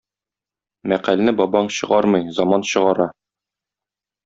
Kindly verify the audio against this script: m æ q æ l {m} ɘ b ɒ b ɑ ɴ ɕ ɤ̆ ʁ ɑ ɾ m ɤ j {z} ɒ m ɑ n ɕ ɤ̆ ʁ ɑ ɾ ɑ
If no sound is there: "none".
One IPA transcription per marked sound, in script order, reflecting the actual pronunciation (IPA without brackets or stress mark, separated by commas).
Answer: n, z